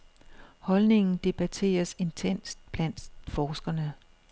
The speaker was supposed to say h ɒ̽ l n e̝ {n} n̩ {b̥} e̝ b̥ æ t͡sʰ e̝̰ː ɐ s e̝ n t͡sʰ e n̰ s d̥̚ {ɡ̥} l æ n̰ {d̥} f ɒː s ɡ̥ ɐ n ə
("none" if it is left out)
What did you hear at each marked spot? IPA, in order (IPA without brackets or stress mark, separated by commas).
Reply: ŋ, d̥, b̥, d̥